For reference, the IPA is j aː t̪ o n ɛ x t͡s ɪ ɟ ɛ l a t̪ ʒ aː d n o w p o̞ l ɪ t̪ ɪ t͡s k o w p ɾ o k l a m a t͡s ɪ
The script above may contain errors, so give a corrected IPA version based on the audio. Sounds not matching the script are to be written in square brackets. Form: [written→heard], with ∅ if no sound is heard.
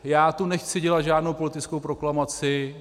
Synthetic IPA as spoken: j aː t̪ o n ɛ x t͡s ɪ ɟ ɛ l a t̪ ʒ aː d n o w p o̞ l ɪ t̪ ɪ t͡s k o w p ɾ o k l a m a t͡s ɪ